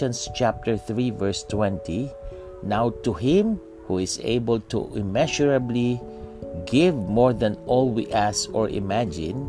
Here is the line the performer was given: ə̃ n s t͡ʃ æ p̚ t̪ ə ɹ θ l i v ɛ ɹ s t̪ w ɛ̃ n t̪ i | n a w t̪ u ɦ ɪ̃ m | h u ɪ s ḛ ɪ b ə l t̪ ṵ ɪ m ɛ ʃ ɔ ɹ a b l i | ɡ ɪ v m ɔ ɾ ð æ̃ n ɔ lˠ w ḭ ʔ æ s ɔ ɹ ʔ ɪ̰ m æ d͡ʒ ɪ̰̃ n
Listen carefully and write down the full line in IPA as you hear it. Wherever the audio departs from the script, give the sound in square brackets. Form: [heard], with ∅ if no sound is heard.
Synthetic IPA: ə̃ n s t͡ʃ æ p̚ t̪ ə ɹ θ [ɹ] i v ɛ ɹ s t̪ w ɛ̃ n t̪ i | n a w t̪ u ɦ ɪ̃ m | h u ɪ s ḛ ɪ b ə l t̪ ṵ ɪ m ɛ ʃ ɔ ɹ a b l i | ɡ ɪ v m ɔ [ɹ] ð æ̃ n ɔ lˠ w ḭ ʔ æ s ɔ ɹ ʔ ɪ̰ m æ d͡ʒ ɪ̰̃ n